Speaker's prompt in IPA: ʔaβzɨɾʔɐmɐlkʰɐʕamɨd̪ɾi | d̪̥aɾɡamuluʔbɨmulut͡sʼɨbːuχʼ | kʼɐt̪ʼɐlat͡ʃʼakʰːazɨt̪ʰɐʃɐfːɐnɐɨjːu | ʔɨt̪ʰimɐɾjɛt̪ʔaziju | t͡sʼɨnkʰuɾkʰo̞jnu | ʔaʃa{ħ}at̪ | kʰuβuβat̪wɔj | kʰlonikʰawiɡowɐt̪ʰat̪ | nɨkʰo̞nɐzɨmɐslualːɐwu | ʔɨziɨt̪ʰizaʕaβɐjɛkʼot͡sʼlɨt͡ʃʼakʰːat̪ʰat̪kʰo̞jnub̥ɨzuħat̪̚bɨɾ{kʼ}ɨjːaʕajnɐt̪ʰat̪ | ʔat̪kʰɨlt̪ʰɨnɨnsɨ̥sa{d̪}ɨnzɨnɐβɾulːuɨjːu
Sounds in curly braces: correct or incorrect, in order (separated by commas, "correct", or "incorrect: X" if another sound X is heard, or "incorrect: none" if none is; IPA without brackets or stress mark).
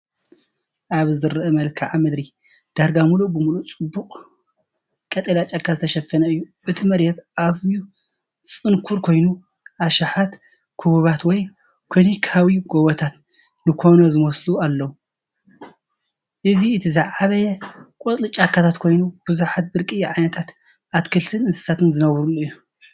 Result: correct, correct, incorrect: t̪